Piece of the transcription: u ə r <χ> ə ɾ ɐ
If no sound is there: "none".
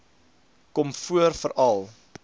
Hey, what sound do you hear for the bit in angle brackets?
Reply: f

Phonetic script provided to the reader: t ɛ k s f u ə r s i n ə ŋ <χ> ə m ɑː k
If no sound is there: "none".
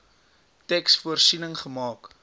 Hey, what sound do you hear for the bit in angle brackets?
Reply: χ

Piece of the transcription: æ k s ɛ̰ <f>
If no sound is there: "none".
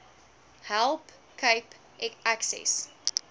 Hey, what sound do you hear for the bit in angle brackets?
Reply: s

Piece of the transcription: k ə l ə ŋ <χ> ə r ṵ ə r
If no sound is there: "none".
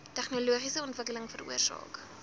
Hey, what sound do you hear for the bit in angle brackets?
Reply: f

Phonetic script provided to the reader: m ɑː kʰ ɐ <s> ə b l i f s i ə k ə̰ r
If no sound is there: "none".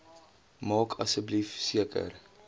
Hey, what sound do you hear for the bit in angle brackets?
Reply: s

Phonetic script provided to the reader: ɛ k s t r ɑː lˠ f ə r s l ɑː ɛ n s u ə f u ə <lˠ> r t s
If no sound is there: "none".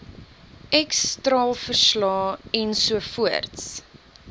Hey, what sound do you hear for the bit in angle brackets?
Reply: none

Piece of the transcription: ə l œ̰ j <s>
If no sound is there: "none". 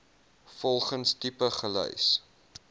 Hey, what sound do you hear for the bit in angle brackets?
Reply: s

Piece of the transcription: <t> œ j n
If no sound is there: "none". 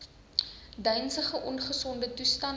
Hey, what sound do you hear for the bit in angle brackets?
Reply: d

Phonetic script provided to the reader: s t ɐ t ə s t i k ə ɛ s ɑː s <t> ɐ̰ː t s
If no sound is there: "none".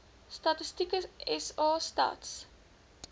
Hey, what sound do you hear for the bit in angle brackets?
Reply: t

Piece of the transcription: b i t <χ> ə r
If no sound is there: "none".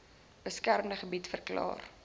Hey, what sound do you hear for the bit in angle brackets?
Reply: f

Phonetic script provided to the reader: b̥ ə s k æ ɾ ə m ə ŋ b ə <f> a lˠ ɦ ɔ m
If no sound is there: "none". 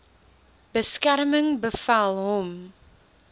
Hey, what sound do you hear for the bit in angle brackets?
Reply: f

